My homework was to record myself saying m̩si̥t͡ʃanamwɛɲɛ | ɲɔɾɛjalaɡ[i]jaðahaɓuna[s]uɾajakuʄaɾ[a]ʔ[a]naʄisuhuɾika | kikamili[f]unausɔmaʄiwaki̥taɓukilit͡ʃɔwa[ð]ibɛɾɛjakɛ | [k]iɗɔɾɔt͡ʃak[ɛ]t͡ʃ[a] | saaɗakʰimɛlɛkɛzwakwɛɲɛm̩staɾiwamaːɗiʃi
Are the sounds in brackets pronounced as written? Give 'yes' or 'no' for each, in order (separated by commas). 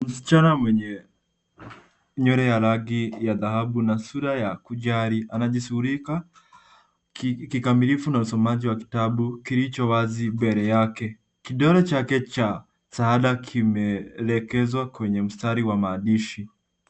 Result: yes, yes, no, yes, yes, no, yes, yes, yes